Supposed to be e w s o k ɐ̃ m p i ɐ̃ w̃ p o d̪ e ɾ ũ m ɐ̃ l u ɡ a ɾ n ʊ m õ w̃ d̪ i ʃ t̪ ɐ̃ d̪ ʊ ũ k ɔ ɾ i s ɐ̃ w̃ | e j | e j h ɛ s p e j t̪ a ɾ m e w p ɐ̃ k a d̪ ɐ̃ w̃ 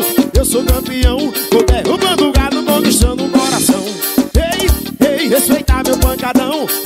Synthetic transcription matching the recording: e w s o k ɐ̃ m p i ɐ̃ w̃ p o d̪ e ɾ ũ m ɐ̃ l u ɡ a ɾ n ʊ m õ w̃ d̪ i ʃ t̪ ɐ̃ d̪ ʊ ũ k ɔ ɾ a s ɐ̃ w̃ | e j | e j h e s p e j t̪ a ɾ m e w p ɐ̃ k a d̪ ɐ̃ w̃